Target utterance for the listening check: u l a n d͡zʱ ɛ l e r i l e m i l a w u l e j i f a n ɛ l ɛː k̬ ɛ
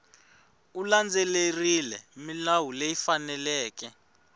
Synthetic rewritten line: u l a n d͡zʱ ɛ l e r i l ɛ m i l a w u l e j i f a n ɛ l ɛː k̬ ɛ